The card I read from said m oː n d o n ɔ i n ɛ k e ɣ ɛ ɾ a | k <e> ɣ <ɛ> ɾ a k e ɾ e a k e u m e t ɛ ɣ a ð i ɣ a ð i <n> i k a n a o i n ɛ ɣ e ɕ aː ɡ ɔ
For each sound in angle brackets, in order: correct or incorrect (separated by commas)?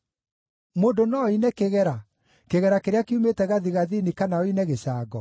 correct, correct, correct